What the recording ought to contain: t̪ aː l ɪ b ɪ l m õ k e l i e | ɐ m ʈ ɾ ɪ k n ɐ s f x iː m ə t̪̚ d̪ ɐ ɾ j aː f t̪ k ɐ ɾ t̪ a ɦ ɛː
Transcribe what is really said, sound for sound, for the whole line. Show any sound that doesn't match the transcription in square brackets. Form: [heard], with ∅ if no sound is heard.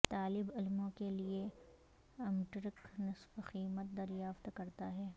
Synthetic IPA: t̪ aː l ɪ b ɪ l m õ k e l i e | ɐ m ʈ ɾ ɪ k n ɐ s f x iː m ə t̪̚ d̪ ɐ ɾ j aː f t̪ k ɐ ɾ t̪ a ɦ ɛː

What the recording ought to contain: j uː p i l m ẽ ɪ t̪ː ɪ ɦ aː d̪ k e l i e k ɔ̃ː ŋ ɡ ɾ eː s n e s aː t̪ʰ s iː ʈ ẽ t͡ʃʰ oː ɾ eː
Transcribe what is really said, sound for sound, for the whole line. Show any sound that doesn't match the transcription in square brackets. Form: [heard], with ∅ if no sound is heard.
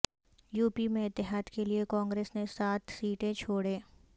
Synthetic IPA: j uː p i [∅] m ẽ ɪ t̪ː ɪ ɦ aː d̪ k e l i e k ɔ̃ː ŋ ɡ ɾ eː s n e s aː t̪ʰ s iː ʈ ẽ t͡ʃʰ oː [ɽ] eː

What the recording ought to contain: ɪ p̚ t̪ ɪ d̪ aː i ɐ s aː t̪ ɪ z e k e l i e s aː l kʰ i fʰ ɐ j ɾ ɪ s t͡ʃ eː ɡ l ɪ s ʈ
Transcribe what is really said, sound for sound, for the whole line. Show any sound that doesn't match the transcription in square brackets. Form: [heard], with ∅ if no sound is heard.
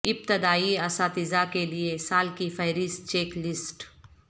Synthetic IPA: ɪ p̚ t̪ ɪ d̪ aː i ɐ s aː t̪ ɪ z [a] k e l i e s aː l [k] i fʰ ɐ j ɾ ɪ s t͡ʃ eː [k] l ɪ s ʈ

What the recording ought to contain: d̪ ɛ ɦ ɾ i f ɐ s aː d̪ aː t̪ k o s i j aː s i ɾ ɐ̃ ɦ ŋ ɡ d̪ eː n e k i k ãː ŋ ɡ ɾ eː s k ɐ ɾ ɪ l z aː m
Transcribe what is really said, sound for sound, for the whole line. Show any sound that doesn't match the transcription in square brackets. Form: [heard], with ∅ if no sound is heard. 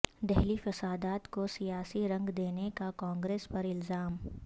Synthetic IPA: d̪ ɛ ɦ [l] i f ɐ s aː d̪ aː t̪ k o s i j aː s i ɾ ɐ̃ [∅] ŋ ɡ d̪ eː n e k [a] k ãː ŋ ɡ ɾ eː s [p] ɐ ɾ ɪ l z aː m

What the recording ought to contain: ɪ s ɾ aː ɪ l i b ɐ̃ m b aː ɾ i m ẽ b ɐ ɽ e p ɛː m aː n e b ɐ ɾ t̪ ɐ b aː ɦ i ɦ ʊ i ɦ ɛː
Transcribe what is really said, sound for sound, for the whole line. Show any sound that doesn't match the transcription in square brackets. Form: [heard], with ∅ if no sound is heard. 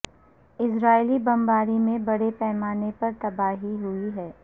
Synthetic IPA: ɪ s ɾ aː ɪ l i b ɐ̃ m b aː ɾ i m ẽ b ɐ ɽ e p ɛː m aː n e [p] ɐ ɾ t̪ ɐ b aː ɦ i ɦ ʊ i ɦ ɛː

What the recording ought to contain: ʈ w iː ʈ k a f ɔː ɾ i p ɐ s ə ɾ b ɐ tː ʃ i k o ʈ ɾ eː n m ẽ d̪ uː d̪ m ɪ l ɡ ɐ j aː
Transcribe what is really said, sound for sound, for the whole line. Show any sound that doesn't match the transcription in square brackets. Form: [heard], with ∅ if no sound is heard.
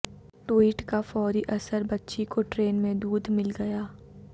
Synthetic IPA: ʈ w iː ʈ k a f ɔː ɾ i [ʔ] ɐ s ə ɾ b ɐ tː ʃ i k o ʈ ɾ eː n m ẽ d̪ uː d̪ m ɪ l ɡ ɐ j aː

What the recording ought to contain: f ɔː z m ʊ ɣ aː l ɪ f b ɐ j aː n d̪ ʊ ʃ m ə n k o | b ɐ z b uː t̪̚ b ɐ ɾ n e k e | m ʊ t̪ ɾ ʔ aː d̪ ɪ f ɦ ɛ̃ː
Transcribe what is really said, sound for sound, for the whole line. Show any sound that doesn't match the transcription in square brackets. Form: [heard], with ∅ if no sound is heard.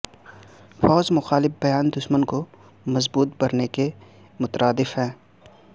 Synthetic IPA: f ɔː z m ʊ [x] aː l ɪ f b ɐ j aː n d̪ ʊ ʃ m ə n k o | [m] ɐ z b uː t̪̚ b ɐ ɾ n e k e | m ʊ t̪ ɾ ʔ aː d̪ ɪ f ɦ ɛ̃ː

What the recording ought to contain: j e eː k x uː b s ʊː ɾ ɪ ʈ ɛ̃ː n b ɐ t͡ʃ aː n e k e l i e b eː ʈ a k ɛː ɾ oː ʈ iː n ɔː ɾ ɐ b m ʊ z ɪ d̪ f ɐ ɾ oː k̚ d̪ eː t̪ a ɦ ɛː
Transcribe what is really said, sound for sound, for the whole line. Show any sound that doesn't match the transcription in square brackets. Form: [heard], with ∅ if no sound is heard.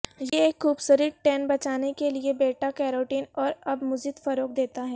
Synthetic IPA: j e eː k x uː b s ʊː ɾ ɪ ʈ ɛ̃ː n b ɐ t͡ʃ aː n e k e l i e b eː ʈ a k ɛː ɾ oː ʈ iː n ɔː ɾ ɐ b m ʊ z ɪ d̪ f ɐ ɾ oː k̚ d̪ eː t̪ a ɦ ɛː

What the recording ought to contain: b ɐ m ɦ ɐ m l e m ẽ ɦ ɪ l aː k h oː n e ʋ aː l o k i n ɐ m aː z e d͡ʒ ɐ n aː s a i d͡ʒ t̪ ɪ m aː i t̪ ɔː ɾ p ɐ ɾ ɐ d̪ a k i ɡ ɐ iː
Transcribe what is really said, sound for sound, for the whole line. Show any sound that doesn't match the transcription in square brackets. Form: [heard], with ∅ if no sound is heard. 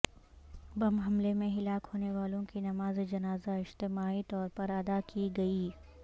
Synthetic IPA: b ɐ m ɦ ɐ m l e m ẽ ɦ ɪ l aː k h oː n e ʋ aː l [õ] k i n ɐ m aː z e d͡ʒ ɐ n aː [z] a [ɪ] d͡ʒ t̪ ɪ m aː i t̪ ɔː ɾ p ɐ ɾ ɐ d̪ a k i ɡ ɐ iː

